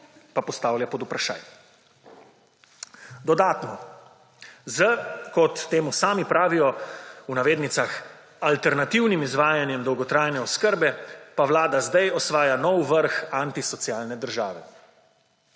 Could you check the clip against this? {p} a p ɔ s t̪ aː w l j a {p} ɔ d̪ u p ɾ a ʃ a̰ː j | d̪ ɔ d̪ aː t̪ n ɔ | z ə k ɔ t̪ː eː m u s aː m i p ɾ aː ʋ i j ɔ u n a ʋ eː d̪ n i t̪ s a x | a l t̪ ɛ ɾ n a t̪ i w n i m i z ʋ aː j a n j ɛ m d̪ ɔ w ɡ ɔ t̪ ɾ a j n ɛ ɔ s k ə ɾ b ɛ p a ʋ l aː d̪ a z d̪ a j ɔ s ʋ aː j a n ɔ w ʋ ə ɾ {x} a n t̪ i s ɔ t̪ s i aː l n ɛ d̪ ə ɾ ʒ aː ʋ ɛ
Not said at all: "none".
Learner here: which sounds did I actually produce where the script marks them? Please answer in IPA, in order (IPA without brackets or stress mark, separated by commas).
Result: p, p, x